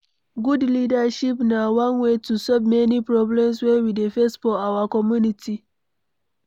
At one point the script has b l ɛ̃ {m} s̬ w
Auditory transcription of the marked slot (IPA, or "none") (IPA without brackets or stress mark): m